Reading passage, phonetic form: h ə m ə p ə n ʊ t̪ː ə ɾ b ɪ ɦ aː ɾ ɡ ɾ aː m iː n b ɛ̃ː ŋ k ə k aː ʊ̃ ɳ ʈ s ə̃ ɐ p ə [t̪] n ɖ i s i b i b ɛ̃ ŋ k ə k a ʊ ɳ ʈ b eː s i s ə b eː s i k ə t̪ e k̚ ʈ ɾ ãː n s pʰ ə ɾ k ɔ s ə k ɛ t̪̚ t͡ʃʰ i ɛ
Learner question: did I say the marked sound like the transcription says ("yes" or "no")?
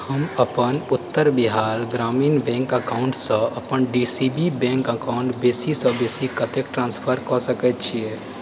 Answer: no